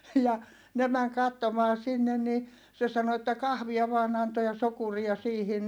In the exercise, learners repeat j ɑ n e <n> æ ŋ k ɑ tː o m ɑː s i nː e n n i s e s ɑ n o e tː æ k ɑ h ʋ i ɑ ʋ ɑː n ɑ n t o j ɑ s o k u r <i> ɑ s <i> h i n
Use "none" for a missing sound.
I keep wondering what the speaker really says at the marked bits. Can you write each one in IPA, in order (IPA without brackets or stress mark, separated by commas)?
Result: m, i, iː